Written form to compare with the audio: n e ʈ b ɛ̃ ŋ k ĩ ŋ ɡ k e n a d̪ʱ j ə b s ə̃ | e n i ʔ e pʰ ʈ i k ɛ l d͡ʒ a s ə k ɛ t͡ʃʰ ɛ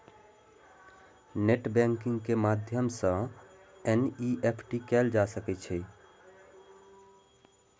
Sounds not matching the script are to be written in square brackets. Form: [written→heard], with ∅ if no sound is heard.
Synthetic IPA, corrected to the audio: n e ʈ b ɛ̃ ŋ k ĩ ŋ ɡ k e [n→m] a d̪ʱ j ə [b→m] s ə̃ | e n i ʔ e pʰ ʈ i k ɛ l d͡ʒ a s ə k ɛ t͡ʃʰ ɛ